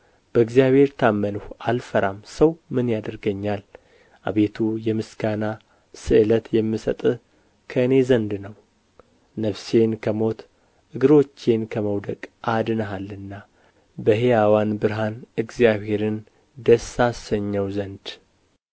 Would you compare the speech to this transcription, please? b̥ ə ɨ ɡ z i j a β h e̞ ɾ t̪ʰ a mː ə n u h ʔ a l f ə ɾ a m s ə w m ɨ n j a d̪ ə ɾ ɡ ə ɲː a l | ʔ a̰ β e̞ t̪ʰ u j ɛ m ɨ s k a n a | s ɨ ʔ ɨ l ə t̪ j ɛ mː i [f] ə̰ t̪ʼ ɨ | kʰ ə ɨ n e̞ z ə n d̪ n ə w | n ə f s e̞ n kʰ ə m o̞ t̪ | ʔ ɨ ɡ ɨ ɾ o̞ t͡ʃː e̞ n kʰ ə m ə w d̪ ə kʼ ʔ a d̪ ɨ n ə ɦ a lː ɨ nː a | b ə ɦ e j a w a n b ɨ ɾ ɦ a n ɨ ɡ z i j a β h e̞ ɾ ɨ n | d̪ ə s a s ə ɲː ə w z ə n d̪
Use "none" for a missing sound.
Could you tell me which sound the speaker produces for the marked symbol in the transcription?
s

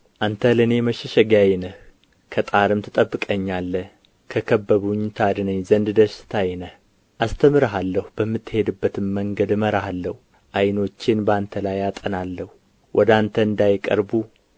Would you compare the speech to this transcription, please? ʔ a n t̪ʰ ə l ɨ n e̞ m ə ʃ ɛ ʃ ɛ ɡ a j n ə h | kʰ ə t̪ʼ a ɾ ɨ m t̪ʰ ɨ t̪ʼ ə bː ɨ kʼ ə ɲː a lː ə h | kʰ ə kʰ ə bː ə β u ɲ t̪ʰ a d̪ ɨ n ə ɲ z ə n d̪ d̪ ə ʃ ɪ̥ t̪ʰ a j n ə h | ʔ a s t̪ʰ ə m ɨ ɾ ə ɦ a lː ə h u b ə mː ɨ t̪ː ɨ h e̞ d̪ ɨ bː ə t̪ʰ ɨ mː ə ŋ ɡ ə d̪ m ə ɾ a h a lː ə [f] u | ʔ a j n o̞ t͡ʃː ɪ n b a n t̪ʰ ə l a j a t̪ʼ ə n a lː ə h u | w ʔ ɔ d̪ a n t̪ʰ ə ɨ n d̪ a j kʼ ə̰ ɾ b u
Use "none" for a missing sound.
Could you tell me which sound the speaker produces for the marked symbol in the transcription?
h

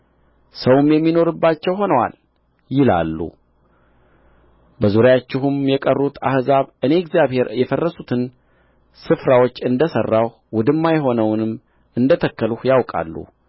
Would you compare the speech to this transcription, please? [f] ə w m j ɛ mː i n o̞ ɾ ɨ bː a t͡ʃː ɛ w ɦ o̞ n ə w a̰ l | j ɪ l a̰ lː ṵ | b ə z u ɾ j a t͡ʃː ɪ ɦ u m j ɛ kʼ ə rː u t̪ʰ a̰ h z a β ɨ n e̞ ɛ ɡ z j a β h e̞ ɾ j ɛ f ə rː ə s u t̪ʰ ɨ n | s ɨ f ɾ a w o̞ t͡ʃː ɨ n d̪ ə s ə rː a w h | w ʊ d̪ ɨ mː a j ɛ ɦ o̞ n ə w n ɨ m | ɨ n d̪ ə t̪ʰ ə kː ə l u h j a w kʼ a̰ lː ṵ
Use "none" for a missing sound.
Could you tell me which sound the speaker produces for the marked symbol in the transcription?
s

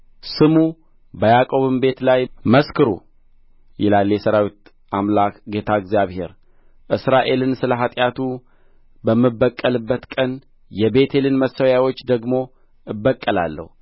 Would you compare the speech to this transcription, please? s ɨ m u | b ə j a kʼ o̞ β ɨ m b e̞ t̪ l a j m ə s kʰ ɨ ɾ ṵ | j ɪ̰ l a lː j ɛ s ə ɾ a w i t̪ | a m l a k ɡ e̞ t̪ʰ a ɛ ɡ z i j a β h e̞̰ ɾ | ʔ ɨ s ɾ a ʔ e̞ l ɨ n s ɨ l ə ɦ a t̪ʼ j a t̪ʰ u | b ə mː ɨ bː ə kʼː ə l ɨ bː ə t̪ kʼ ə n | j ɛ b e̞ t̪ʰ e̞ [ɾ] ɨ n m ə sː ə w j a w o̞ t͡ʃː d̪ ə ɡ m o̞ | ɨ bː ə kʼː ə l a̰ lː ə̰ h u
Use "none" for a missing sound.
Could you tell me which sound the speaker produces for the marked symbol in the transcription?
l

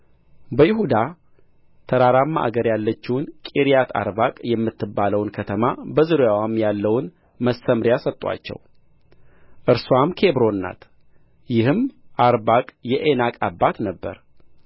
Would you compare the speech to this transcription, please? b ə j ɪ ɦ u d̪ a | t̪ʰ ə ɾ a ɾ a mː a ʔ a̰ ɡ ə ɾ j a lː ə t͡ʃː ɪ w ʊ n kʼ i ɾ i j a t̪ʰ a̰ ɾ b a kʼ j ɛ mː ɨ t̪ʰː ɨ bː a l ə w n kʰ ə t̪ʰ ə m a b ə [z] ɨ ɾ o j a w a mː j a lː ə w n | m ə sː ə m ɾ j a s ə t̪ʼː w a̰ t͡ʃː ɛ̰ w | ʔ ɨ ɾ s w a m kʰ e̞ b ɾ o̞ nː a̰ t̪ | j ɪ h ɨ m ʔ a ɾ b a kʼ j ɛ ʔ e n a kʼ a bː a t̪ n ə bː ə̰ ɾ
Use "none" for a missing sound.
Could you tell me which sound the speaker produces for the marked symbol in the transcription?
z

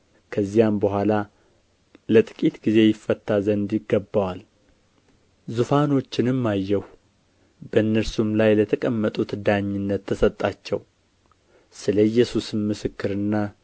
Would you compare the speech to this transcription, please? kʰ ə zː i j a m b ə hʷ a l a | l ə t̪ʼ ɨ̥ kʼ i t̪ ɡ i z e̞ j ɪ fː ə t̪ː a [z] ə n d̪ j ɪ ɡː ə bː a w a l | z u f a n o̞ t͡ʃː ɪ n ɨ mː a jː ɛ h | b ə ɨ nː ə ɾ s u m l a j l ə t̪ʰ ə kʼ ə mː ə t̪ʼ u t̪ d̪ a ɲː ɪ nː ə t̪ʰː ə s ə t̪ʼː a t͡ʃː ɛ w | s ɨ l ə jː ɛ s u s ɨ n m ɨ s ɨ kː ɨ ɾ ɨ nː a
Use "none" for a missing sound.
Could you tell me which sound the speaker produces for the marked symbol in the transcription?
z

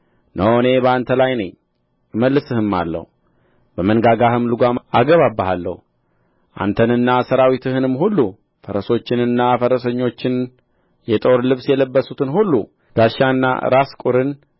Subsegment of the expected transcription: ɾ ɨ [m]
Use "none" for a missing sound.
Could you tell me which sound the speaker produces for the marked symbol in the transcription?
n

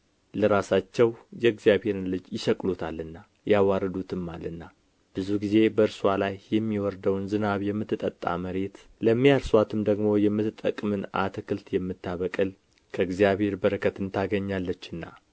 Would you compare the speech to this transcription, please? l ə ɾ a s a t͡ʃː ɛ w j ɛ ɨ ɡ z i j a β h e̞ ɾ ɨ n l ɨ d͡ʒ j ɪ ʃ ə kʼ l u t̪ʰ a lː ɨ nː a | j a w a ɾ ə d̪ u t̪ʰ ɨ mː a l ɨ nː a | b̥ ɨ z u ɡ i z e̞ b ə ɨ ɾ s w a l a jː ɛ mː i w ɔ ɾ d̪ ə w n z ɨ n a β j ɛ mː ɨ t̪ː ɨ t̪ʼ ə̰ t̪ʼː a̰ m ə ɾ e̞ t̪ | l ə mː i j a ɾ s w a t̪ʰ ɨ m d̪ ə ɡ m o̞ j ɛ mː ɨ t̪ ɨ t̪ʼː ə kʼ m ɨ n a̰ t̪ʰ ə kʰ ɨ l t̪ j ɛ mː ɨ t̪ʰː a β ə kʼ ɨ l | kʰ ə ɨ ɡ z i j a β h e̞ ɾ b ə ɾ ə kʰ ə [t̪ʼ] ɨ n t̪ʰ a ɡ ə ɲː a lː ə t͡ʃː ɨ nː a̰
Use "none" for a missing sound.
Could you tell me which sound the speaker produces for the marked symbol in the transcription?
t̪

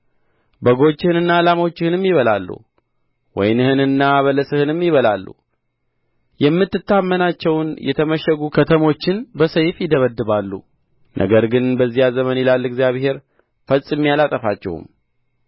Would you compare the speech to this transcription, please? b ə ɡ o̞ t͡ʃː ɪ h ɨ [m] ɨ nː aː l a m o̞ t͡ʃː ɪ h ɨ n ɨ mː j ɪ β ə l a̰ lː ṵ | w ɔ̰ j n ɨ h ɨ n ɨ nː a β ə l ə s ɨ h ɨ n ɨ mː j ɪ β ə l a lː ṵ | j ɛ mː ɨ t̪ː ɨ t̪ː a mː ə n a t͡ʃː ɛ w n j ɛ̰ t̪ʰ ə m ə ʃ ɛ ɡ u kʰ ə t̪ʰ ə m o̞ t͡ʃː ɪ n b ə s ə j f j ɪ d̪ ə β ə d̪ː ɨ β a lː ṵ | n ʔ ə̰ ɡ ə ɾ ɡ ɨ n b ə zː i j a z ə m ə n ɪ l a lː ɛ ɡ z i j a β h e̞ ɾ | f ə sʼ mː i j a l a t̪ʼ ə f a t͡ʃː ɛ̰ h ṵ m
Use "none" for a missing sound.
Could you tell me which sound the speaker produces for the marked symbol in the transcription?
n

